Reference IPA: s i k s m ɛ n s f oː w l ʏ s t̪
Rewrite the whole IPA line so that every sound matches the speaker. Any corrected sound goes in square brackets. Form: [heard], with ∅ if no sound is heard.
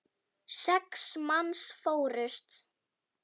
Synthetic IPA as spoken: s [ɛ] k s m [a] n s f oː w [ɾ] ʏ s t̪